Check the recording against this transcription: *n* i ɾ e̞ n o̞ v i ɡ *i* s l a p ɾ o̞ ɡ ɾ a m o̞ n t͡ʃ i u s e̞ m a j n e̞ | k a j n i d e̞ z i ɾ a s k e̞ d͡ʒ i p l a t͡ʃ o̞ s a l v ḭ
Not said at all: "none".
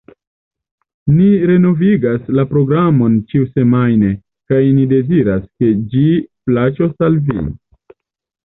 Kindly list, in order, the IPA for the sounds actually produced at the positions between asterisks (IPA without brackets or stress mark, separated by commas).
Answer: n, a